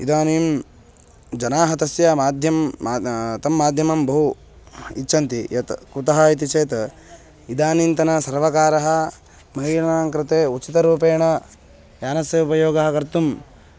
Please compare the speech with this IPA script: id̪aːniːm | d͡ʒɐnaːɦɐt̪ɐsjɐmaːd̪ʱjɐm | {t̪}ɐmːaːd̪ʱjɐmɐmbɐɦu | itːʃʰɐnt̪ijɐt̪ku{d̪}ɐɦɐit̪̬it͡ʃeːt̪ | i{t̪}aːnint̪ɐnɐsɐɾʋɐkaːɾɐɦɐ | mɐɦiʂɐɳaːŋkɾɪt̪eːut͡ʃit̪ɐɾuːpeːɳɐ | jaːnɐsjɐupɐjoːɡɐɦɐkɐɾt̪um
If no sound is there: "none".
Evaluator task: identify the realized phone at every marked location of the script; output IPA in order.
t̪, t̪, d̪

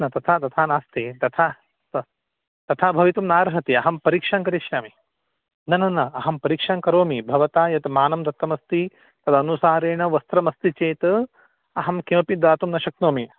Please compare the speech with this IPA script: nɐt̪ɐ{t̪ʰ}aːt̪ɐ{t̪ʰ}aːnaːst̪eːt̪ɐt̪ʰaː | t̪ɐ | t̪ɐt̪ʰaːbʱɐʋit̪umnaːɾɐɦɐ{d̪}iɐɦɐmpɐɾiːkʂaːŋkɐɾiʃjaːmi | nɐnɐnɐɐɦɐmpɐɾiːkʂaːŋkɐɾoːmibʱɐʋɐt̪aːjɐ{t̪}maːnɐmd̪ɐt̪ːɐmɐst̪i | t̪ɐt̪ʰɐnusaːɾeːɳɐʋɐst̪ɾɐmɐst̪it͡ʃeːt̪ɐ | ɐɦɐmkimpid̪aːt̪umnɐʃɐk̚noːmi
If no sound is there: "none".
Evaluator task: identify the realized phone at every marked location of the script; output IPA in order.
t̪ʰ, t̪ʰ, t̪, t̪

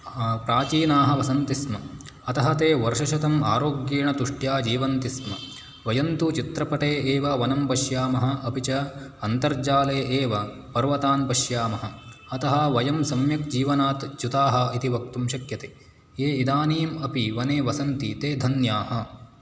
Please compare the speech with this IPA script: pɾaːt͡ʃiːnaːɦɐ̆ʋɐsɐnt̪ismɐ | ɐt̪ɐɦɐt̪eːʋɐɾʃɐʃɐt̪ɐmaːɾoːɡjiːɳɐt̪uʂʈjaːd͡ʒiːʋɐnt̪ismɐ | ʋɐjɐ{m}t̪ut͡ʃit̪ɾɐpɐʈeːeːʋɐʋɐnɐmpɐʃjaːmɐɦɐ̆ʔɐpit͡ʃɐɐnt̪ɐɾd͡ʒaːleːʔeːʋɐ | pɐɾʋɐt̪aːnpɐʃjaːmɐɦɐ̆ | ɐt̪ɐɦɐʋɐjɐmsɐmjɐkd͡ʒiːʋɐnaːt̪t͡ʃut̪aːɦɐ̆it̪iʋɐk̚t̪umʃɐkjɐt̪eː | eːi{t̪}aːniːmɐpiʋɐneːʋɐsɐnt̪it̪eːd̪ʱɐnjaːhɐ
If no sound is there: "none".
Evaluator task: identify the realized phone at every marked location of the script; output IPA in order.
n, d̪

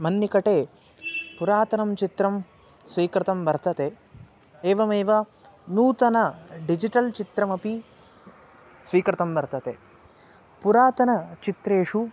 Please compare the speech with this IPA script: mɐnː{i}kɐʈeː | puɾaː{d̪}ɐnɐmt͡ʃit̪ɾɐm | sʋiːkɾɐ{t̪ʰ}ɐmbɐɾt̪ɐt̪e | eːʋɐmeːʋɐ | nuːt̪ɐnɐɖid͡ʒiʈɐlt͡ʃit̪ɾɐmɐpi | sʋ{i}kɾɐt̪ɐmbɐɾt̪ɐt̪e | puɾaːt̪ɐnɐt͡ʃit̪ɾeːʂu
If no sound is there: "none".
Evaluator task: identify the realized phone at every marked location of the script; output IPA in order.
i, t̪, t̪, iː

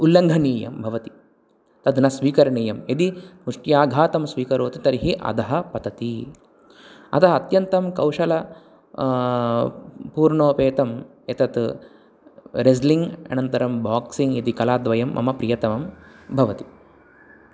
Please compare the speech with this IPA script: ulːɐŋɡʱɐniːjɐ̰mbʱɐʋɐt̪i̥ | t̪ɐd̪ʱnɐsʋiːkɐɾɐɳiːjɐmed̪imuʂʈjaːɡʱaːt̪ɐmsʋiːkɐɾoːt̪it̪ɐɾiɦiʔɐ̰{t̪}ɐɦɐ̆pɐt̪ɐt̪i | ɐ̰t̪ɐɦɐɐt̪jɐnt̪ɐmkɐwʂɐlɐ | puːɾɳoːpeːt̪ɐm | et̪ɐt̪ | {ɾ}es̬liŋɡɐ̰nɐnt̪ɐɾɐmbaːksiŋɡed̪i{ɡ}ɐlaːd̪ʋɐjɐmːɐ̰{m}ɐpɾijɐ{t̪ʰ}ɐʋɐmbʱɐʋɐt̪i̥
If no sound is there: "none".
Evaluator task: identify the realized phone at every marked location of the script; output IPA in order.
d̪, ɾ, k, m, t̪

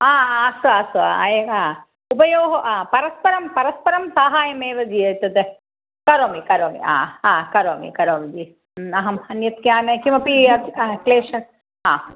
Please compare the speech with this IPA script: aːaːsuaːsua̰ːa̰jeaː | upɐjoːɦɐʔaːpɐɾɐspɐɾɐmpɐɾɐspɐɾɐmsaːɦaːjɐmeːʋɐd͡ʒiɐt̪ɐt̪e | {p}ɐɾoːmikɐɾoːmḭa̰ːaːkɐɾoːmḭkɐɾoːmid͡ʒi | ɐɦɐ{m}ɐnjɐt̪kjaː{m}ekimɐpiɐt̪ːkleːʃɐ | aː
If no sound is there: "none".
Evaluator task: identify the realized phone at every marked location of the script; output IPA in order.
k, m, n

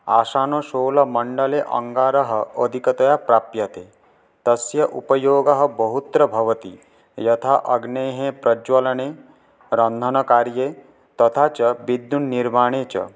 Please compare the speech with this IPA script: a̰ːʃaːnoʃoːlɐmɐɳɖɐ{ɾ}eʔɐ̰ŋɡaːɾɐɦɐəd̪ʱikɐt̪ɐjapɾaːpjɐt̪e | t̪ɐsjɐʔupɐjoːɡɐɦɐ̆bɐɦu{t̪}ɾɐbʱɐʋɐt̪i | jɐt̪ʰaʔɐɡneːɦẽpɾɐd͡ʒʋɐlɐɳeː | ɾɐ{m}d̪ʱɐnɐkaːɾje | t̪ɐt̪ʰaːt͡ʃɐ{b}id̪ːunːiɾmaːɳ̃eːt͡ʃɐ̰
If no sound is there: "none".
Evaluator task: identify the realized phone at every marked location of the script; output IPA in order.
l, t̪, n, b

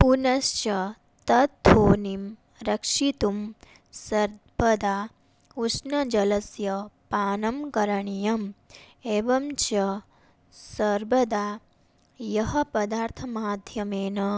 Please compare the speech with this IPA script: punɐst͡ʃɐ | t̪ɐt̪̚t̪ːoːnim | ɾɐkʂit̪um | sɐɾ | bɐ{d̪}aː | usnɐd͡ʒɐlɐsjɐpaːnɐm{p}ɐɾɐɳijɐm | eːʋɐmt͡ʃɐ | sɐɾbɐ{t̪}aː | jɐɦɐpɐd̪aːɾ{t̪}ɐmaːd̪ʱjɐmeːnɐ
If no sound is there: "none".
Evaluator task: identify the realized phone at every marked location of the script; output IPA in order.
d̪, k, d̪, t̪ʰ

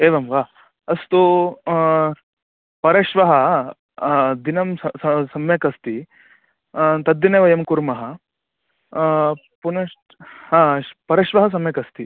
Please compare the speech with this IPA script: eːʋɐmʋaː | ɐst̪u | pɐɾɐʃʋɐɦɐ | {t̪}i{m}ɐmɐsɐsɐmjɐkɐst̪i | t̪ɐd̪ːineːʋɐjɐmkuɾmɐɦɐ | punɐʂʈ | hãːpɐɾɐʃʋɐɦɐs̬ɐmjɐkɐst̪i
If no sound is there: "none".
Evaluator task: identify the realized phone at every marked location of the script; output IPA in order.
d̪, n

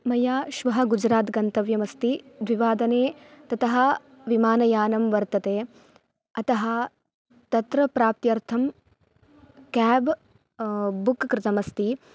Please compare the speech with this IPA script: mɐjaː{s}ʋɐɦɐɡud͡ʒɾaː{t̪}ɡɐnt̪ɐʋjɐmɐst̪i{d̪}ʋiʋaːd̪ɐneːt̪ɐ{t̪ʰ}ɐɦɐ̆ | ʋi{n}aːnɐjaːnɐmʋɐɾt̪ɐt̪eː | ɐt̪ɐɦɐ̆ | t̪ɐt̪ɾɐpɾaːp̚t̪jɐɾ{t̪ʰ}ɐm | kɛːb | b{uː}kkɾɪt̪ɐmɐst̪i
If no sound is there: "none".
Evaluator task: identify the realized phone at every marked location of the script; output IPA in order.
ʃ, t̪, d̪, t̪, m, t̪ʰ, u

